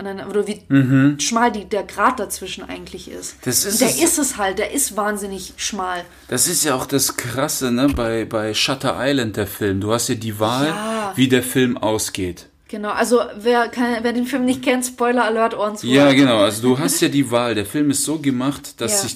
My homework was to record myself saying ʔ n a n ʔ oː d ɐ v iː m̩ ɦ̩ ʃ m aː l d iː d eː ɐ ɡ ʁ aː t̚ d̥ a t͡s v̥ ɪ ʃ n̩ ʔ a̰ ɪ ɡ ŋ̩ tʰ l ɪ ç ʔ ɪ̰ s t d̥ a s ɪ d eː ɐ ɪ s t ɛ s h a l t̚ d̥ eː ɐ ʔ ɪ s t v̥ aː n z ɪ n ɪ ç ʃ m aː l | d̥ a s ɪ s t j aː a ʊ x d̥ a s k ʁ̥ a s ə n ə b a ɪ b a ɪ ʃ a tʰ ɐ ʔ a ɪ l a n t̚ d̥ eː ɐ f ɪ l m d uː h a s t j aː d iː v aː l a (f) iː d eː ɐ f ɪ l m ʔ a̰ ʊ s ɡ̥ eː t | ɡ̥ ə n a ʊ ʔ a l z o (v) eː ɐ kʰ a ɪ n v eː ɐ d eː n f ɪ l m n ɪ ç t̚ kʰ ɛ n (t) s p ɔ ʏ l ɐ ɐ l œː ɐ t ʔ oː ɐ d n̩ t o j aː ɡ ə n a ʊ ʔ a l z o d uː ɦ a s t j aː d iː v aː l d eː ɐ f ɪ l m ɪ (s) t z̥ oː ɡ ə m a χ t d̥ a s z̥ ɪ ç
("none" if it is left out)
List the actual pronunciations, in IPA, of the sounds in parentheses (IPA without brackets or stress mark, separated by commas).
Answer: v, v, t, s